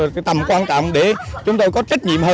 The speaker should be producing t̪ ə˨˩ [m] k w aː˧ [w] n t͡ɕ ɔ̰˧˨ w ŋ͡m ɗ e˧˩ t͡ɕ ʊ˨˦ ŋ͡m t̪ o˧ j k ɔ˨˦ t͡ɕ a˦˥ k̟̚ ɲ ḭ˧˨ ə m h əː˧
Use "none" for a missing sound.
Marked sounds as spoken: m, none

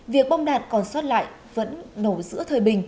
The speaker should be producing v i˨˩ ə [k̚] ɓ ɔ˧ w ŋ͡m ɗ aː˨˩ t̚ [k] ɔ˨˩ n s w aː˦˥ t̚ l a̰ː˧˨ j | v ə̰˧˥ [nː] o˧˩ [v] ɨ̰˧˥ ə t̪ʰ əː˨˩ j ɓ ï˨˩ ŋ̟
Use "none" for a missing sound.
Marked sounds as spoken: k̚, k, nː, z

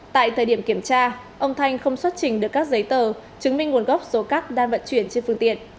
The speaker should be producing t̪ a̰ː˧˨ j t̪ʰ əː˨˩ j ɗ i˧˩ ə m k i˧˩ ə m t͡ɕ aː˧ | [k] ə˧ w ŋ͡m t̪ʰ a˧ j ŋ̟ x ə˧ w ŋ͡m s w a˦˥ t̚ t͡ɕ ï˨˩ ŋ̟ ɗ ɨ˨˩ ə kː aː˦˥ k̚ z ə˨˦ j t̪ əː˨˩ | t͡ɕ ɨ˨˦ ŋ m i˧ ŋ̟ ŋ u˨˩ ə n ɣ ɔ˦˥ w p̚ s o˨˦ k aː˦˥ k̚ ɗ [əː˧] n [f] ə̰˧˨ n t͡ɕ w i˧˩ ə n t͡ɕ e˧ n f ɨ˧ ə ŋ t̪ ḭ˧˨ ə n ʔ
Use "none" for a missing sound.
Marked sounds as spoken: ʔ, aː˧, v

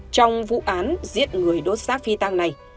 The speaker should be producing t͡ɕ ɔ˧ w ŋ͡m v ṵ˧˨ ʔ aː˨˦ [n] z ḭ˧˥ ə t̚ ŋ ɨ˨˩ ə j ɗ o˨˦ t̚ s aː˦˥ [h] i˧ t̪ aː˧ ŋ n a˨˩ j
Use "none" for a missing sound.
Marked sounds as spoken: n, f

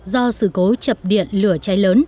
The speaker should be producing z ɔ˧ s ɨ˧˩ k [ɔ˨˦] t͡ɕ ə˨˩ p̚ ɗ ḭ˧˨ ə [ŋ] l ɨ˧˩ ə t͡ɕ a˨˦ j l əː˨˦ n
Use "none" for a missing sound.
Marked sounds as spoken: o˨˦, n

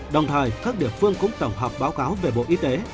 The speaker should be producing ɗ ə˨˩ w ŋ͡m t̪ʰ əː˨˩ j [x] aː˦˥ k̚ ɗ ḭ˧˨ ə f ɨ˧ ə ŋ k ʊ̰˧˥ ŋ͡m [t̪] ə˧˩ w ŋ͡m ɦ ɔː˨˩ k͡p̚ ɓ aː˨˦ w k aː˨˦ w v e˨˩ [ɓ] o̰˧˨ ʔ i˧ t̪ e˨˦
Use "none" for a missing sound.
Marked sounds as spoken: k, t̪, ɓ

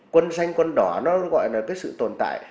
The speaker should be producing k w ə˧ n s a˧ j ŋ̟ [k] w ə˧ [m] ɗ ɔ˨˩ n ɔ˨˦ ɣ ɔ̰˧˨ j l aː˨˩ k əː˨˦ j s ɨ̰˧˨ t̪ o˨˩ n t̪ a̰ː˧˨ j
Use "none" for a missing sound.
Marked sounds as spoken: k, n

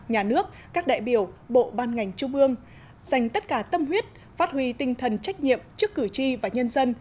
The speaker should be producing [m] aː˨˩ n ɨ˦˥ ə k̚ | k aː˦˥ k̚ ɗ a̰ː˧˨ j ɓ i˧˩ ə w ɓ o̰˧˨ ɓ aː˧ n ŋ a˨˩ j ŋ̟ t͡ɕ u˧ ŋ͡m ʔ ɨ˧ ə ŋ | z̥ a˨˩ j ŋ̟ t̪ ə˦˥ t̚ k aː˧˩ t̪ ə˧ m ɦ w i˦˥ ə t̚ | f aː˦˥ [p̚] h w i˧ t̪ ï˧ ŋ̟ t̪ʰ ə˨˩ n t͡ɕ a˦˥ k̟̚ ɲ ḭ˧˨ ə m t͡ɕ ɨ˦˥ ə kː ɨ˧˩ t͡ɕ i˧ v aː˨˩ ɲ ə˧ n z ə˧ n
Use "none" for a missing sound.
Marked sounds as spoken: ɲ, t̚

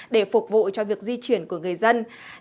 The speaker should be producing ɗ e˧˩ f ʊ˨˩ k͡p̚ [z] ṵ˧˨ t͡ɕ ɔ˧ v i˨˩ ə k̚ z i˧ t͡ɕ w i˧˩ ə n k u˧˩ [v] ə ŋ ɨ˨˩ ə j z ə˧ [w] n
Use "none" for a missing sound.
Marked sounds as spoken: v, none, none

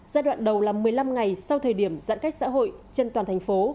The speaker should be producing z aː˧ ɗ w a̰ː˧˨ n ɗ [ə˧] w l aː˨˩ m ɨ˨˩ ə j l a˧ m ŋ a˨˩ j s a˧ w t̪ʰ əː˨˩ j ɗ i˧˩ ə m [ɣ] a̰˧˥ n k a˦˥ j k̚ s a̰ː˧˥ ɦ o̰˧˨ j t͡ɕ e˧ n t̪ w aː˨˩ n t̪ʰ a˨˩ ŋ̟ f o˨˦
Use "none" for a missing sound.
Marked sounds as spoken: ə˨˩, z

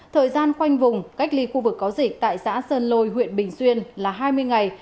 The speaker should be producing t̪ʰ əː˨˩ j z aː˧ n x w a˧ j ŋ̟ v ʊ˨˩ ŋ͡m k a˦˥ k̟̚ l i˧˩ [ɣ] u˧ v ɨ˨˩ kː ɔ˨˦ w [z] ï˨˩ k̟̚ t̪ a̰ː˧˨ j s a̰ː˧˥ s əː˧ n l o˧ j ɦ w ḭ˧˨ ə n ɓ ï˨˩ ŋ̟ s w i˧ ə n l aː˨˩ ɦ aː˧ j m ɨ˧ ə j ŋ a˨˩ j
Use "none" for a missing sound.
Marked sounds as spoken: x, z

